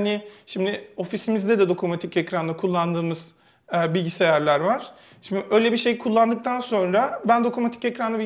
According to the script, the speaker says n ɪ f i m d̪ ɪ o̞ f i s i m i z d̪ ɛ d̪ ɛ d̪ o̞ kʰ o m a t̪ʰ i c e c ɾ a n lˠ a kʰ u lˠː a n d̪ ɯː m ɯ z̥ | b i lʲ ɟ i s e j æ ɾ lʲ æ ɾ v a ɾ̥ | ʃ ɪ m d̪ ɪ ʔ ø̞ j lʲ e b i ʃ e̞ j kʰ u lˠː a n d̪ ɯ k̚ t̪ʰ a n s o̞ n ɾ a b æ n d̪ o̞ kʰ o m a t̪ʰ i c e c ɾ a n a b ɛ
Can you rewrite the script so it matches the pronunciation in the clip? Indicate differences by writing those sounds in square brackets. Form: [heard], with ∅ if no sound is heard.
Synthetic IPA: n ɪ [ʃ] i m d̪ ɪ o̞ f i s i m i z d̪ ɛ d̪ ɛ d̪ o̞ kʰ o m a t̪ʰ i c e c ɾ a n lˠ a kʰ u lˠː a n d̪ ɯː m ɯ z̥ | b i lʲ ɟ i s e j æ ɾ lʲ æ ɾ v a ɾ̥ | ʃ [i] m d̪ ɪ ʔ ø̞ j lʲ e b i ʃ e̞ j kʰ u lˠː a n d̪ ɯ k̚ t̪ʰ a n s o̞ n ɾ a b æ n d̪ o̞ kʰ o m a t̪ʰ i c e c ɾ a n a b [i]

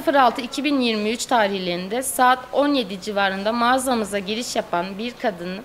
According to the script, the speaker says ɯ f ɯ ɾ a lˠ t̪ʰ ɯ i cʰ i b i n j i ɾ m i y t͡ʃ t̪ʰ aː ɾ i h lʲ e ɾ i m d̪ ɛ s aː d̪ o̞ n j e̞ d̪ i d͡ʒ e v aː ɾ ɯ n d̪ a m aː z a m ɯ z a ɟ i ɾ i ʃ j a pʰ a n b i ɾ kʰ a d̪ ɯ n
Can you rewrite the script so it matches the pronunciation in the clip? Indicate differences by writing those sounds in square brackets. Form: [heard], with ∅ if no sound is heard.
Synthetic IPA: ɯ f ɯ ɾ a lˠ t̪ʰ ɯ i cʰ i b i n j i ɾ m i y t͡ʃ t̪ʰ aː ɾ i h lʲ e ɾ i [n] d̪ ɛ s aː [t̪] o̞ n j e̞ d̪ i d͡ʒ [i] v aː ɾ ɯ n d̪ a m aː z a m ɯ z a ɟ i ɾ i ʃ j a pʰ a n b i ɾ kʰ a d̪ ɯ n

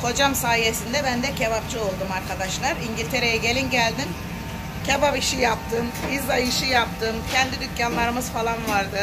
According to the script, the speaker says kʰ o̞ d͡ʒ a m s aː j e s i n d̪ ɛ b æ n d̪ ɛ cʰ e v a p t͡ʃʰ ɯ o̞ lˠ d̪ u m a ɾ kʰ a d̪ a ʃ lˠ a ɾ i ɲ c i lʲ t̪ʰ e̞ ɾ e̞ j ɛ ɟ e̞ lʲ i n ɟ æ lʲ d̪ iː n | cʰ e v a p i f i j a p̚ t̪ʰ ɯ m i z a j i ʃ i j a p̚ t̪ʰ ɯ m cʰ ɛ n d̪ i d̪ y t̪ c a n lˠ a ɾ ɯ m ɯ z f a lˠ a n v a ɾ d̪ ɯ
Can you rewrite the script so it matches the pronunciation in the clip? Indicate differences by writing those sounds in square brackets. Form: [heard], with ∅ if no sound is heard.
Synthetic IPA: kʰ o̞ d͡ʒ a m s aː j e s i n d̪ ɛ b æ n d̪ ɛ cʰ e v a p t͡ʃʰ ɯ o̞ lˠ d̪ u m a ɾ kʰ a d̪ a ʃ lˠ a ɾ i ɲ [ɟ] i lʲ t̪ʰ e̞ ɾ e̞ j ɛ ɟ e̞ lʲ i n ɟ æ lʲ d̪ [i] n | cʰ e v a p i [ʃ] i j a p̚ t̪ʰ ɯ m i z a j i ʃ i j a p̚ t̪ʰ ɯ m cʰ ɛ n d̪ i d̪ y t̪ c a n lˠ a ɾ ɯ m ɯ z f a lˠ a n v a ɾ d̪ ɯ

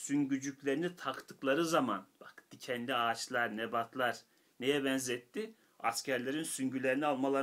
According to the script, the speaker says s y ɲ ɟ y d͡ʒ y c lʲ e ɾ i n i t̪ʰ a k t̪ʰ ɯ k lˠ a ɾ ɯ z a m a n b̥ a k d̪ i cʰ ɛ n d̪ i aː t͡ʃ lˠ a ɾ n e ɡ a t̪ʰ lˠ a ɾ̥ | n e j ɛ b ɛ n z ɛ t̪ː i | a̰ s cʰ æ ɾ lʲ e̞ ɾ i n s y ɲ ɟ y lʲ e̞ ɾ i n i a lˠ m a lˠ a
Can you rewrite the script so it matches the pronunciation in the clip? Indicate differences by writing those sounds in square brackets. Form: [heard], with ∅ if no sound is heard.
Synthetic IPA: s y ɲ ɟ y d͡ʒ y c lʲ e ɾ i n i t̪ʰ a k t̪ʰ ɯ k lˠ a ɾ ɯ z a m a n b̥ a k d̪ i cʰ ɛ n d̪ i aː t͡ʃ lˠ a ɾ n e [b] a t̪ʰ lˠ a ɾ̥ | n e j ɛ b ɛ n z ɛ t̪ː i | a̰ s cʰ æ ɾ lʲ e̞ ɾ i n s y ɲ ɟ y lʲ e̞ ɾ i n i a lˠ m a lˠ a

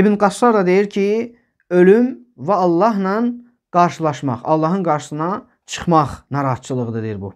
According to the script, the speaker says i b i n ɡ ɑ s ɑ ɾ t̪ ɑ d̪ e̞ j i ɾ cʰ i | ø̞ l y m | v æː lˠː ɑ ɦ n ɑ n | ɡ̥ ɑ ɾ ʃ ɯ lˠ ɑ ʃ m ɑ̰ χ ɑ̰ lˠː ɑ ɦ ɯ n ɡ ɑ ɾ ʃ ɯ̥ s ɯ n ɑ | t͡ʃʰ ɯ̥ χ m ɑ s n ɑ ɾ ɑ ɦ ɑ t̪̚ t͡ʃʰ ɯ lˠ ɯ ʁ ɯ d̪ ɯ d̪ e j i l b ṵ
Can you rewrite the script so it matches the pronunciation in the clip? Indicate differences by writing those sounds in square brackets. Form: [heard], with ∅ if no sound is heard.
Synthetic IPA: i b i n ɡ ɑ s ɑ ɾ [d̪] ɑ d̪ e̞ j i ɾ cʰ i | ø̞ l y m | v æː lˠː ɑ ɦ n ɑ n | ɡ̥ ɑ ɾ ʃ ɯ lˠ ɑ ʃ m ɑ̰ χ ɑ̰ lˠː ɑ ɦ ɯ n ɡ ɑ ɾ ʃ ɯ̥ s ɯ n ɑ | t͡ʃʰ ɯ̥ χ m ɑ [χ] n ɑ ɾ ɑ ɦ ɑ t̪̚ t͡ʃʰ ɯ lˠ ɯ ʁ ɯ d̪ ɯ d̪ e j i [ɾ] b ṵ

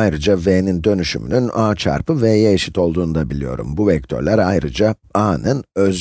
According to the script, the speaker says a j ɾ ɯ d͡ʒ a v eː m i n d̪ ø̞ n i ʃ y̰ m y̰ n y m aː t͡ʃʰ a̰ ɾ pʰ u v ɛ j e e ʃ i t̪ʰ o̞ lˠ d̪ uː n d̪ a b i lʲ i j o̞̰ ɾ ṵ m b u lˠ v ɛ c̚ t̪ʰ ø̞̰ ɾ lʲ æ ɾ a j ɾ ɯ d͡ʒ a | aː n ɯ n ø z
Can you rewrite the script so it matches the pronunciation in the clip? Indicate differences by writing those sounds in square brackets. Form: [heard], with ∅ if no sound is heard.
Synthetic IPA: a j ɾ ɯ d͡ʒ a v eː [n] i n d̪ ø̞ n [y] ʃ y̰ m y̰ n y [n] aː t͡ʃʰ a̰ ɾ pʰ [ɯ] v ɛ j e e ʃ i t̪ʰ o̞ lˠ d̪ uː n d̪ a b i lʲ i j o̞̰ ɾ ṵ m b u [∅] v ɛ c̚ t̪ʰ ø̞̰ ɾ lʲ æ ɾ a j ɾ ɯ d͡ʒ a | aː n ɯ n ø z

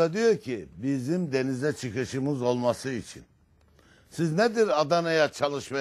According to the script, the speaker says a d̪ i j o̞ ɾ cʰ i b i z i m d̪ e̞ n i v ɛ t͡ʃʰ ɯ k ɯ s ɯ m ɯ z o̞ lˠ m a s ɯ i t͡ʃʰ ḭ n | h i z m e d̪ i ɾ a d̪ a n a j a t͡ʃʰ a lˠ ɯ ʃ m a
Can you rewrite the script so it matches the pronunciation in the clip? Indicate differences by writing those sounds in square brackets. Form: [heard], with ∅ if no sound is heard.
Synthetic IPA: a d̪ i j o̞ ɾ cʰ i b i z i m d̪ e̞ n i [z] ɛ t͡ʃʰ ɯ k ɯ [ʃ] ɯ m ɯ z o̞ lˠ m a s ɯ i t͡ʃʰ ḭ n | [s] i z [n] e d̪ i ɾ a d̪ a n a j a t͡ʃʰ a lˠ ɯ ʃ m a

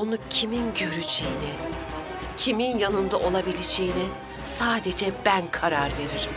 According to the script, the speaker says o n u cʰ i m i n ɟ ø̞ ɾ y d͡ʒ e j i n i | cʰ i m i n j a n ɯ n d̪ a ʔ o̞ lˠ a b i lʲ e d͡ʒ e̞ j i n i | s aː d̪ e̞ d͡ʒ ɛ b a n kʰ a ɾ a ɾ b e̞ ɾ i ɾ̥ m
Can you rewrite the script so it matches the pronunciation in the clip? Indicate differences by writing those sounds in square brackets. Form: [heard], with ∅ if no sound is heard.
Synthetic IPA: o n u cʰ i m i n ɟ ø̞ ɾ y d͡ʒ e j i n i | cʰ i m i n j a n ɯ n d̪ a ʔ o̞ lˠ a b i lʲ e d͡ʒ e̞ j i n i | s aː d̪ e̞ d͡ʒ ɛ b [æ] n kʰ a ɾ a ɾ [v] e̞ ɾ i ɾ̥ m

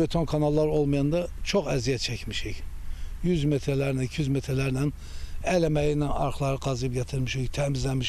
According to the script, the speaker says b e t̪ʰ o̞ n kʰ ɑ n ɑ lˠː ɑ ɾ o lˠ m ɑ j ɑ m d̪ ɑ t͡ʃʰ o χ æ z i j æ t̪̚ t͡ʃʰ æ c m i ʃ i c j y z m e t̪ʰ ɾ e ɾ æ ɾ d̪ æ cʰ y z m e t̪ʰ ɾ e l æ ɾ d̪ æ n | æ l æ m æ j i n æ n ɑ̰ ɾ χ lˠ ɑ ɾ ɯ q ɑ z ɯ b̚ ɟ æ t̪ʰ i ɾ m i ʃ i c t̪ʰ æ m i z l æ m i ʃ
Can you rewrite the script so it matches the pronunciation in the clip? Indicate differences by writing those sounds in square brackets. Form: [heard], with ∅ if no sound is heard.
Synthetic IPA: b e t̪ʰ o̞ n kʰ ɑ n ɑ lˠː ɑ ɾ o lˠ m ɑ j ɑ [n] d̪ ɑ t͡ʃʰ o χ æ z i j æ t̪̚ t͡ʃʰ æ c m i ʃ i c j y z m e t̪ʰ ɾ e [l] æ ɾ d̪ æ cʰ y z m e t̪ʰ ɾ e l æ ɾ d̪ æ n | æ l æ m æ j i n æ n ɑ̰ ɾ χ lˠ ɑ ɾ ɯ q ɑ z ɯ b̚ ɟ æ t̪ʰ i ɾ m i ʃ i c t̪ʰ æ m i z l æ m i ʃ

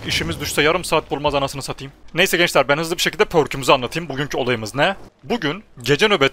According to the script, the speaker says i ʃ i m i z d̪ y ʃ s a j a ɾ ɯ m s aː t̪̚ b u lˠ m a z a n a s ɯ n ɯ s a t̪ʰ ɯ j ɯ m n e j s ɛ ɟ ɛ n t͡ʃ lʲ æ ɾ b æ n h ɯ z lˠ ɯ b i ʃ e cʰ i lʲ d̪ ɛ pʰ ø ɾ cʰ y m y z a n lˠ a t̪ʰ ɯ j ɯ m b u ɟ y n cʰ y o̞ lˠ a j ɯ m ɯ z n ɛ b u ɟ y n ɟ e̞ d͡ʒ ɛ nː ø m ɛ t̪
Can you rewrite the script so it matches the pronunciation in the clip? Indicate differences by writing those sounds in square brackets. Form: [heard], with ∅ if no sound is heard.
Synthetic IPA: i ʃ i m i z d̪ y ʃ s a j a ɾ ɯ m s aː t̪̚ b u lˠ m a z a n a s ɯ n ɯ s a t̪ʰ ɯ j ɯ m n e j s ɛ ɟ ɛ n t͡ʃ lʲ æ ɾ b æ n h ɯ z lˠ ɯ b i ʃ e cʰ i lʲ d̪ ɛ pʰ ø ɾ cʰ y m y z a n lˠ a t̪ʰ ɯ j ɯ m b u ɟ y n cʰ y o̞ lˠ a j ɯ m ɯ z n ɛ b u ɟ y n ɟ e̞ d͡ʒ ɛ [n] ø [b] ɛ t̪

